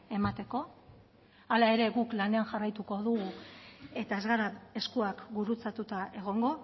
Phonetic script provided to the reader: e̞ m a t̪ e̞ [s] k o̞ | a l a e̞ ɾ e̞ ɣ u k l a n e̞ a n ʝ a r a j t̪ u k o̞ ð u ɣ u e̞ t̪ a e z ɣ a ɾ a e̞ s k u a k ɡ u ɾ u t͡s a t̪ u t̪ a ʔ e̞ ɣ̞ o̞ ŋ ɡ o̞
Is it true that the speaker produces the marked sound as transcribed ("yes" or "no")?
no